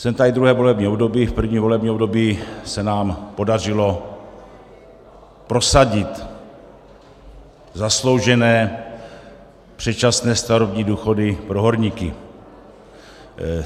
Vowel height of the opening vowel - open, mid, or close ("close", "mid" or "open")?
mid